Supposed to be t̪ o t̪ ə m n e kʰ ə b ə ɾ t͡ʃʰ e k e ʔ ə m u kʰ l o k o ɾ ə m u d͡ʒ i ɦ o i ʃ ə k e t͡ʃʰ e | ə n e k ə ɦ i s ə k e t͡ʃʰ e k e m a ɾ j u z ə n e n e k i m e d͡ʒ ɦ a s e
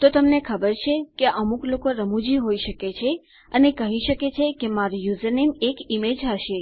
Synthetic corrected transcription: t̪ o t̪ ə m n e kʰ ə b ə ɾ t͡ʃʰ e k e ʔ ə m u k l o k o ɾ ə m u d͡ʒ i ɦ o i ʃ ə k e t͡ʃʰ e | ə n e k ə ɦ i ʃ ə k e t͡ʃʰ e k e m a ɾ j u z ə n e m e k i m e d͡ʒ ɦ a ʃ e

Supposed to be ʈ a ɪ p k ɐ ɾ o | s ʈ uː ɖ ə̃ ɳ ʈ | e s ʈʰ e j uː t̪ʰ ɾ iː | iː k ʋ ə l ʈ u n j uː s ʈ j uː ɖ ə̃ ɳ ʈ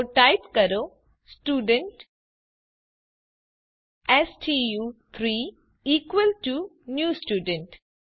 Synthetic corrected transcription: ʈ a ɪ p k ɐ ɾ o | s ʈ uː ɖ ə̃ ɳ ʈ | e s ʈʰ i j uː t̪ʰ ɾ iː | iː k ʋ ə l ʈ u n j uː s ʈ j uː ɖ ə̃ ɳ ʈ

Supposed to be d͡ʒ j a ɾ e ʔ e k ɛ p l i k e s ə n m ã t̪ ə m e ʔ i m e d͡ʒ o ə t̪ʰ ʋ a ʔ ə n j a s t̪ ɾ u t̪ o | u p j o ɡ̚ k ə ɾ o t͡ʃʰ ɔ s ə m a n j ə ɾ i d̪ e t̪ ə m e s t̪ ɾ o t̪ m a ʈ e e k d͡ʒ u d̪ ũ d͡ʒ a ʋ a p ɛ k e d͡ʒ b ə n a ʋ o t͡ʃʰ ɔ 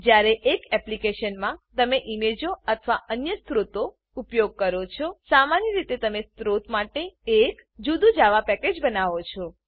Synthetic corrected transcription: d͡ʒ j a ɾ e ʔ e k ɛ p l i k e ʃ ə n m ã t̪ ə m e ʔ i m e d͡ʒ o ə t̪ʰ ʋ a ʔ ə n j ə s t̪ ɾ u t̪ o | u p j o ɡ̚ k ə ɾ o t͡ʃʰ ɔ s a m a n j ə ɾ i t̪ e t̪ ə m e s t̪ ɾ o t̪ m a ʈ e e k d͡ʒ u d̪ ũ d͡ʒ a ʋ a p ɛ k e d͡ʒ b ə n a ʋ o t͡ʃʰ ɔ

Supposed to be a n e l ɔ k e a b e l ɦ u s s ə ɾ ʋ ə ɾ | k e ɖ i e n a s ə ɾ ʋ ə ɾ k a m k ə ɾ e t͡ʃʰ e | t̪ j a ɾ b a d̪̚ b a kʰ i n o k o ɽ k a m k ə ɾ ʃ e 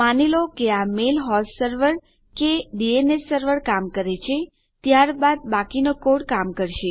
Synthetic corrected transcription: a n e l o k e a m e l ɦ ɔ s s ə ɾ ʋ ə ɾ | k e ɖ i e n e s ə ɾ ʋ ə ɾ k a m k ə ɾ e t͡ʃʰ e | t̪ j a ɾ b a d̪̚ b a k i n o k o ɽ k a m k ə ɾ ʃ e

